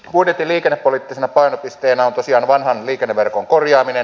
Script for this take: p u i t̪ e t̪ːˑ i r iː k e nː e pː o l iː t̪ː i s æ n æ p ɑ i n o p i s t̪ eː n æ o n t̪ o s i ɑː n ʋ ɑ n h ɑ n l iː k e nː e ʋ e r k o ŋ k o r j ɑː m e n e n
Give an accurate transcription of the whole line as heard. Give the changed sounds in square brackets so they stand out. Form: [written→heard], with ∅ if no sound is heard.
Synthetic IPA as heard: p u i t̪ e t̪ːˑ i [r→l] iː k e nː e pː o l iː t̪ː i s [æ→e] n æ p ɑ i n o p i s t̪ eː n æ o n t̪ o s i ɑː n ʋ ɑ n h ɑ n l iː k e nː e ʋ e r k o ŋ k o r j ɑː m [e→i] n e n